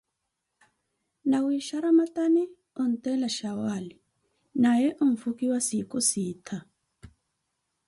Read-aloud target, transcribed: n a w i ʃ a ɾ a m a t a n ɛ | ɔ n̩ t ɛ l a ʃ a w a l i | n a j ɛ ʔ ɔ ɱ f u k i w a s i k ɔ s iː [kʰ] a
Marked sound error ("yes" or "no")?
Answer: yes